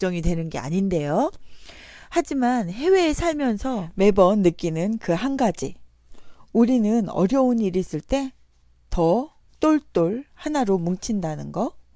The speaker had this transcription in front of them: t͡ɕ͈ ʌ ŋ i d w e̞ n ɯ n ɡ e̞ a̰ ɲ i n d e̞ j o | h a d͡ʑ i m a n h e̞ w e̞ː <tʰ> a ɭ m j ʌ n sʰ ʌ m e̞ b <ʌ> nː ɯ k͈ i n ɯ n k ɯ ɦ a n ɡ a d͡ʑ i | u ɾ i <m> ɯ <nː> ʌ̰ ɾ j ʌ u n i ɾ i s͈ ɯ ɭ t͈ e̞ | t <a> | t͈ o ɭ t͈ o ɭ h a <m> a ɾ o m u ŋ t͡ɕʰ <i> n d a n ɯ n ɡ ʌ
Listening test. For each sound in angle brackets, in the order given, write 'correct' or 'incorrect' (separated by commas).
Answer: incorrect, correct, incorrect, incorrect, incorrect, incorrect, correct